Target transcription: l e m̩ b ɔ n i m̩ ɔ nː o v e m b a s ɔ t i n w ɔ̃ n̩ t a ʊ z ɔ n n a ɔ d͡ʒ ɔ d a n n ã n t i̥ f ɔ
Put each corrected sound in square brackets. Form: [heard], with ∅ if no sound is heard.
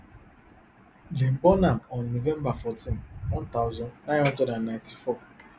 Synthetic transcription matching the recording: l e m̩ b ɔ n [a] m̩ ɔ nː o v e m b a [f] ɔ t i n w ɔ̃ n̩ t a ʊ z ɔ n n a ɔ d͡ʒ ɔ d a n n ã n t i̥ f ɔ